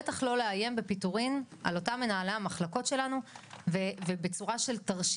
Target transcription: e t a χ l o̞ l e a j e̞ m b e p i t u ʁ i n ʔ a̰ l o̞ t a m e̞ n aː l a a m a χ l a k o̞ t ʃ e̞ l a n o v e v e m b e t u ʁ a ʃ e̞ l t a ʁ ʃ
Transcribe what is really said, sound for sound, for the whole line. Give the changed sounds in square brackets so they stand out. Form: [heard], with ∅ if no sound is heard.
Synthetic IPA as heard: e t a χ l o̞ l e a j e̞ m b e p i t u ʁ i n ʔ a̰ l o̞ t a m e̞ n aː l a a m a χ l a k o̞ t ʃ e̞ l a n [u] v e v e [∅] b e [t͡s] u ʁ a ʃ e̞ l t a ʁ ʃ